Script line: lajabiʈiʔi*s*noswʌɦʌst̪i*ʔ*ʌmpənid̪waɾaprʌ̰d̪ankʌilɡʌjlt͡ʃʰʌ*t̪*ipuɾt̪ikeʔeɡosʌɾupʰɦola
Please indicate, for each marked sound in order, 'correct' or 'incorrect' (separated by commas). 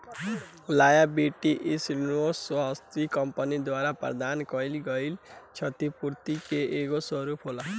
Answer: correct, incorrect, correct